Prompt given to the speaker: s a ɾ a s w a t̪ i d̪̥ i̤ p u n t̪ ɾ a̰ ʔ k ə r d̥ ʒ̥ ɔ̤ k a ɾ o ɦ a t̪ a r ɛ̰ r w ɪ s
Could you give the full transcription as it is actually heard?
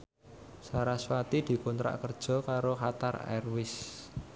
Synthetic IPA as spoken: s a ɾ a s w a t̪ i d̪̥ i̤ k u n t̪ ɾ a̰ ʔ k ə r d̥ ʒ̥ ɔ̤ k a ɾ o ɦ a t̪ a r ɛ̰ r w ɪ s